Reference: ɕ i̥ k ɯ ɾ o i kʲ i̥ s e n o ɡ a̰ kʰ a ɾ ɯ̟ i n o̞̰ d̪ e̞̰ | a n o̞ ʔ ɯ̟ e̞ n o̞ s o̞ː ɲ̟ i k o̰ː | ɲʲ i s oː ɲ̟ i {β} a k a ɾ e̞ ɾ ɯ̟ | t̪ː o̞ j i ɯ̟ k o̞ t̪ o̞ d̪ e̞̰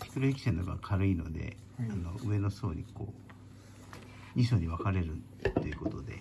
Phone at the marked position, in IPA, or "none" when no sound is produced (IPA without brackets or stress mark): β